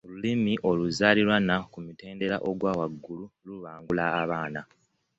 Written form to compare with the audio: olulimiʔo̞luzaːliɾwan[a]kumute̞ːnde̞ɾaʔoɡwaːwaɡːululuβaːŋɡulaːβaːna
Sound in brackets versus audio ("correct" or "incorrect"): correct